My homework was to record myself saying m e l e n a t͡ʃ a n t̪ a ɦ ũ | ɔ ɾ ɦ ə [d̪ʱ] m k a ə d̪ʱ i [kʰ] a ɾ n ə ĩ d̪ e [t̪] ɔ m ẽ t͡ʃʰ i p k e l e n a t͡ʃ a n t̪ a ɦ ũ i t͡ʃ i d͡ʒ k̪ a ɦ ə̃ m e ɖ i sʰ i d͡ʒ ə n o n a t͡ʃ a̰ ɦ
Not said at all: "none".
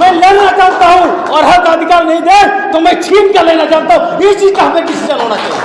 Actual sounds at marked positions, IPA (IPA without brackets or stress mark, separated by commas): none, k, t̪